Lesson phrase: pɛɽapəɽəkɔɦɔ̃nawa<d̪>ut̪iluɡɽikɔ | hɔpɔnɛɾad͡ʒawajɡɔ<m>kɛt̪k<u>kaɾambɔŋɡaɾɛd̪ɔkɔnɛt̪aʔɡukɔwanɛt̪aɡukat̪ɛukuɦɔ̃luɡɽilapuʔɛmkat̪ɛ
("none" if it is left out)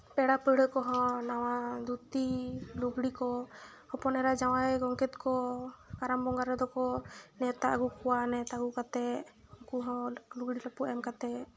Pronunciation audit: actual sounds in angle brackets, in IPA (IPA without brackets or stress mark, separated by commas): d̪, ŋ, ɔ